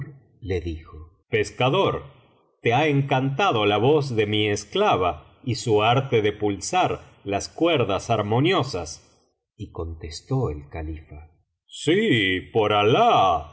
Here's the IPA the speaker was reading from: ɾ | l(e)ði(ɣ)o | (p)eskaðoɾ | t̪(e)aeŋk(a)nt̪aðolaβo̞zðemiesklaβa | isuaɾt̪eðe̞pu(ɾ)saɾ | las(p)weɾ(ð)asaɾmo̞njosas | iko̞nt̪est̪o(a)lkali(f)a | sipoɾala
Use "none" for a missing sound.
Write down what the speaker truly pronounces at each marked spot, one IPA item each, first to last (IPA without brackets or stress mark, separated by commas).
e, x, p, e, a, l, k, ð, e, f